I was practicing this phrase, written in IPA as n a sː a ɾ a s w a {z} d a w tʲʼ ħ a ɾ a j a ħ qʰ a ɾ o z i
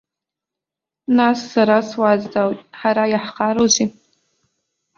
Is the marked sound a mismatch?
no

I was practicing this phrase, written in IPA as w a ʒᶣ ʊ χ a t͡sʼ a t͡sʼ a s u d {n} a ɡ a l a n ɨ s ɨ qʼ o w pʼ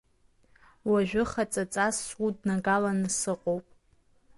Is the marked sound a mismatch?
no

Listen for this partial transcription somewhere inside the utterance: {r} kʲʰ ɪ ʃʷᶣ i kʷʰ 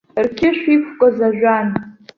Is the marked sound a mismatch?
no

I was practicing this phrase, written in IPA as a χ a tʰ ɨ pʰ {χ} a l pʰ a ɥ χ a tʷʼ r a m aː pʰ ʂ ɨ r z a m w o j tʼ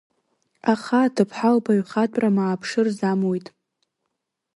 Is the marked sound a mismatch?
yes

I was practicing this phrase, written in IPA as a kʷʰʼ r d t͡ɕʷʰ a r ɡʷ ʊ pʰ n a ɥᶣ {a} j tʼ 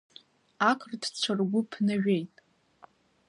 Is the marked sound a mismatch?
yes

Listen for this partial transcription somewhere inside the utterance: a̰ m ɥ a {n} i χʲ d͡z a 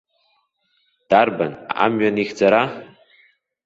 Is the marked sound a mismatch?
no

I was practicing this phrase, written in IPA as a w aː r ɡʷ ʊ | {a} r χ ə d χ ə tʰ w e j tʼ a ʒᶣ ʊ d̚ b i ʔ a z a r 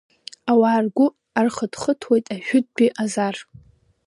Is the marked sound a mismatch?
no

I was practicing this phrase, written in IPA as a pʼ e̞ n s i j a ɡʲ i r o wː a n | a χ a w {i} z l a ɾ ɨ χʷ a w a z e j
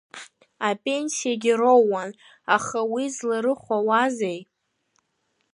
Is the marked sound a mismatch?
no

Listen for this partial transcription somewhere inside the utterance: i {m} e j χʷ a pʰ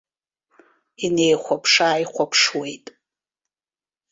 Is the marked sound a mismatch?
yes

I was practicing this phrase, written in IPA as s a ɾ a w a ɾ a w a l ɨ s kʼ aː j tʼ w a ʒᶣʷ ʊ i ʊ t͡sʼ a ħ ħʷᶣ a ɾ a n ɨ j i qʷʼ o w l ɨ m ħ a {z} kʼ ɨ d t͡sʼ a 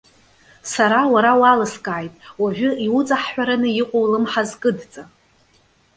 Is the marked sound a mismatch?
no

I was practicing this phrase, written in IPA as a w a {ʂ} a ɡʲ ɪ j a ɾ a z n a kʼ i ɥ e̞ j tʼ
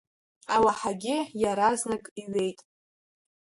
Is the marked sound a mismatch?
yes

